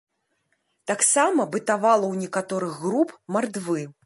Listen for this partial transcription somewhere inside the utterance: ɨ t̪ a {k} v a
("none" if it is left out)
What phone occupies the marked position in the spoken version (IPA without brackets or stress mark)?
none